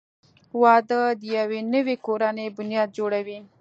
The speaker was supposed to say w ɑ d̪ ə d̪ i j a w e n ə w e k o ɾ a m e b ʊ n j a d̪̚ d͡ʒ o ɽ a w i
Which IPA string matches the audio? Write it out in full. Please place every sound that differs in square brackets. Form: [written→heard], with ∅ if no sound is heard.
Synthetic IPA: w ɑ d̪ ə d̪ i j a w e n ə w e k o ɾ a [m→n] e b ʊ n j [a→ɑ] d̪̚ d͡ʒ o ɽ a w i